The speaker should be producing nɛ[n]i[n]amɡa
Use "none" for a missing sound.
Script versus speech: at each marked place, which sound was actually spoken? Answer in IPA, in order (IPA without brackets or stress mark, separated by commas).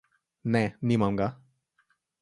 n, m